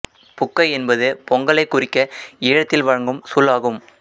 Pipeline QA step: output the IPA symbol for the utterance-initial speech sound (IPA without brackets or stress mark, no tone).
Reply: p